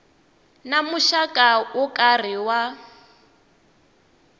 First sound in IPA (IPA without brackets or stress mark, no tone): n